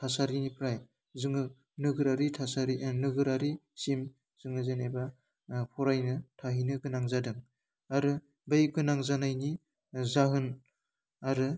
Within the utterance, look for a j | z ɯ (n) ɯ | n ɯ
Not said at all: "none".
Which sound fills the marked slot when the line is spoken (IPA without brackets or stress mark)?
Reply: ŋ